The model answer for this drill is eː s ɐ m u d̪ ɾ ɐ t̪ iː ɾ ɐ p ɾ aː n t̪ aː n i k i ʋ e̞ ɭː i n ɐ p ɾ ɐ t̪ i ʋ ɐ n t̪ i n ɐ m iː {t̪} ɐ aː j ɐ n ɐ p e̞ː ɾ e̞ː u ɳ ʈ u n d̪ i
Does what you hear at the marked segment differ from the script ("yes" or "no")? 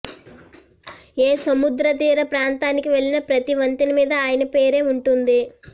yes